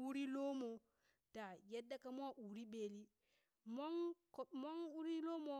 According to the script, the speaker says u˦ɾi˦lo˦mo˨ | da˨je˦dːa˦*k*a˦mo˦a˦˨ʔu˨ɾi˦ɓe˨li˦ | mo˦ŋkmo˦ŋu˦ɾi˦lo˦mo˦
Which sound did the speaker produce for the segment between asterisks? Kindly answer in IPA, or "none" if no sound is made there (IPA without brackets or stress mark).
k